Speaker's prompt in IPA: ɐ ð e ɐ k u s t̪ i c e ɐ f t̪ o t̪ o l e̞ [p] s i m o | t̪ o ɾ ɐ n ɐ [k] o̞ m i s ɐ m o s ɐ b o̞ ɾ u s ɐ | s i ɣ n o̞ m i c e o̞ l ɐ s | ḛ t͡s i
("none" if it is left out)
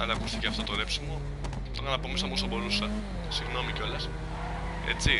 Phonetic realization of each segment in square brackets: p, p

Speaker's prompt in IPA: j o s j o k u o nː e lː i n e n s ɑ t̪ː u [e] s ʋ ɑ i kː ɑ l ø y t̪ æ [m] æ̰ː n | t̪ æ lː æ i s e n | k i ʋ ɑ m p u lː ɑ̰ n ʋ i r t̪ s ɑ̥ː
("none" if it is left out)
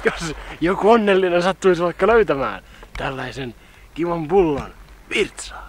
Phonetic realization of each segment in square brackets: i, m

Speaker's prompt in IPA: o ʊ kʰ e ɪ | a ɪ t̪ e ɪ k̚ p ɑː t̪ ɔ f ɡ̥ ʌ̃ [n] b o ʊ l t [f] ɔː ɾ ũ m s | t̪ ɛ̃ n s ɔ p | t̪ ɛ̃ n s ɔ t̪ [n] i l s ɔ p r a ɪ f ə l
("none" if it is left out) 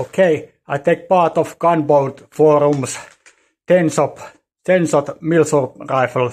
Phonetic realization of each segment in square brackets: n, f, m

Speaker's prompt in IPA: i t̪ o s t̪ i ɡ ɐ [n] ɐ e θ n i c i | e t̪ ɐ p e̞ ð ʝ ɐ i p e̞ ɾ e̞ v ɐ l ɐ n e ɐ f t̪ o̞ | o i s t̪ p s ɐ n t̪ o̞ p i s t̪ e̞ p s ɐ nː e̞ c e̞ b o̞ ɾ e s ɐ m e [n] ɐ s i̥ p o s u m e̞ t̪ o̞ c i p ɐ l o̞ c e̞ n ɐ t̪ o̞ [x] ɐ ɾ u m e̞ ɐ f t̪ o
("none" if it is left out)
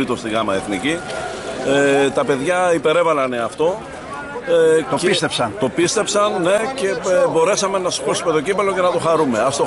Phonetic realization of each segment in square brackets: m, n, x

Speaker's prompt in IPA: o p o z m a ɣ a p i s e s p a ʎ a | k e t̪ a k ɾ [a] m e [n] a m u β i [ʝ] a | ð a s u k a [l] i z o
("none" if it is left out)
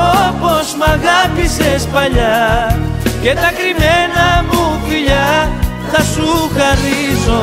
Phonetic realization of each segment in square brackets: i, n, ʎ, r

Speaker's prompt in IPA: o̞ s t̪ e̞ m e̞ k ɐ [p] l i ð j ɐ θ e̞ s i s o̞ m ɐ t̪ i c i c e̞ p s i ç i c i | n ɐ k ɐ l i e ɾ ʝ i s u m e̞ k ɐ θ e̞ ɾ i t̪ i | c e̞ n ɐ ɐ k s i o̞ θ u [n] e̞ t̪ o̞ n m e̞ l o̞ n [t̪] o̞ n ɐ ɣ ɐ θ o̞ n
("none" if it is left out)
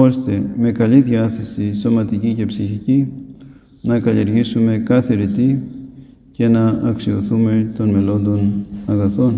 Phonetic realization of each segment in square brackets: none, m, d̪

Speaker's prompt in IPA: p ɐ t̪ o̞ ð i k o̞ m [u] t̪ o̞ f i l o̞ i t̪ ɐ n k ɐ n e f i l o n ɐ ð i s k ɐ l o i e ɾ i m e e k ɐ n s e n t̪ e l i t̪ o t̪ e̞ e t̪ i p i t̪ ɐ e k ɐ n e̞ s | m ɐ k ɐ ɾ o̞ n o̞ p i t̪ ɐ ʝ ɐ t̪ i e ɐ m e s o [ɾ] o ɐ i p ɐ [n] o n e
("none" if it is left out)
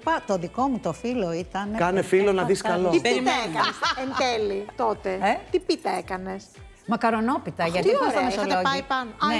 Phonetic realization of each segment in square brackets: u, l, n

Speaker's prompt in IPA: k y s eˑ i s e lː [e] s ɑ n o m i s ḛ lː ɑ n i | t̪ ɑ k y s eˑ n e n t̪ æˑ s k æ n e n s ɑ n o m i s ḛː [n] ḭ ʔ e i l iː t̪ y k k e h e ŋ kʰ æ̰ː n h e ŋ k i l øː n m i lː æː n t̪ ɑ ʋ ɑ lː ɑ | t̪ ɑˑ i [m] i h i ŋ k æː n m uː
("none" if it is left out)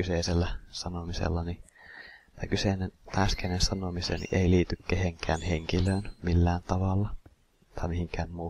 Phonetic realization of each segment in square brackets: æ, n, m

